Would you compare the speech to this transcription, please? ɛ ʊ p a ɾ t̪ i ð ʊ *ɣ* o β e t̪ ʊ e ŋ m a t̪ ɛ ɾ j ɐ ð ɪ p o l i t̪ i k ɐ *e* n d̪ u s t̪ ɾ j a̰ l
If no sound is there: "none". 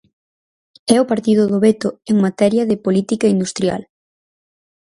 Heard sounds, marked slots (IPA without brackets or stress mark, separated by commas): ð, i